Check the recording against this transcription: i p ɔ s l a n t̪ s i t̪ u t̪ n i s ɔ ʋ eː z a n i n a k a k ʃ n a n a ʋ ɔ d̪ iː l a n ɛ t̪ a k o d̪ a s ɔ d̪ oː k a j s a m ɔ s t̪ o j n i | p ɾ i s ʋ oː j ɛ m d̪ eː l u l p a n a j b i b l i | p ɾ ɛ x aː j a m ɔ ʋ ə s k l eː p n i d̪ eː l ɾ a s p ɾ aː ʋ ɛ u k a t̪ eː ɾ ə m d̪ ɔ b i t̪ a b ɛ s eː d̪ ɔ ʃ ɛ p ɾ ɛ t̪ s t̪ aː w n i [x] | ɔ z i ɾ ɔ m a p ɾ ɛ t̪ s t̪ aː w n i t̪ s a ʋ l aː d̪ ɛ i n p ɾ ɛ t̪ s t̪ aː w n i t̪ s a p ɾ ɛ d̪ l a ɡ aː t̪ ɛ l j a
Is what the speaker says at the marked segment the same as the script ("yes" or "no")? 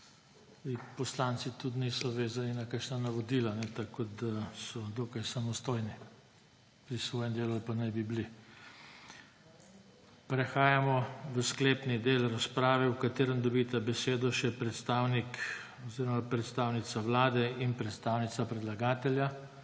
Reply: no